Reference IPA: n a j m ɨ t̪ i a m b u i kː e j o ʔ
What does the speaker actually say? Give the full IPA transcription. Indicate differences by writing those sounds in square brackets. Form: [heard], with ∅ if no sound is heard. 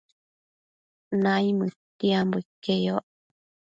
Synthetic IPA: n a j m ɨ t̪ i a m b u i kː e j o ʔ